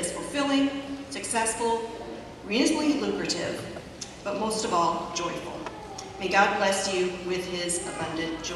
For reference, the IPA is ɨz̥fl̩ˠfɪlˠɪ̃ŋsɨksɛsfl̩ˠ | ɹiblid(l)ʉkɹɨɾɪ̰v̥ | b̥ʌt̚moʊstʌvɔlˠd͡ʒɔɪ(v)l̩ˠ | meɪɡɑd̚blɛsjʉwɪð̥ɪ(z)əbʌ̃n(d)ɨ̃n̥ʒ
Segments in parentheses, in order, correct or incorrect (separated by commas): correct, incorrect, correct, correct